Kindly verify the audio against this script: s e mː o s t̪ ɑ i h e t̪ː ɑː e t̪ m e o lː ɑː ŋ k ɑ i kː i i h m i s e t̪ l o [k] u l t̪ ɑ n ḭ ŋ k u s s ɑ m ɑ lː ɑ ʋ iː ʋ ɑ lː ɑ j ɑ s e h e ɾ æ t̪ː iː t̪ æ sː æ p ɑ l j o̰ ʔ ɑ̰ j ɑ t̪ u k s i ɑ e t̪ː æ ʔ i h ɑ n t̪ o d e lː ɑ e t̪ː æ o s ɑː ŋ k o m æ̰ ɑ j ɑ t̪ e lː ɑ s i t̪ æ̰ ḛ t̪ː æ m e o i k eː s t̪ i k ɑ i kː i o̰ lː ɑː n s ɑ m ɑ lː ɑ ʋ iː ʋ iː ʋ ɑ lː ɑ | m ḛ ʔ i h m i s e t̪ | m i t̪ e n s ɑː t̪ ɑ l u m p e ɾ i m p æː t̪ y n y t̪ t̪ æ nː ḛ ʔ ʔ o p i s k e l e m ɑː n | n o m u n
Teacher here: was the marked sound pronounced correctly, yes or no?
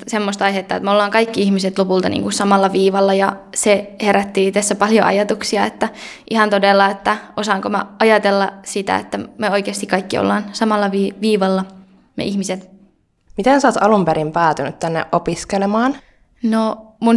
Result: no